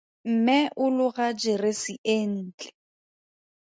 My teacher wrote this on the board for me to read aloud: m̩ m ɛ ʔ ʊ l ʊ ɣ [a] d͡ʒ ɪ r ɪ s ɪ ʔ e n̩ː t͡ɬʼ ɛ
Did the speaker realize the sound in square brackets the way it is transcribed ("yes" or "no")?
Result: yes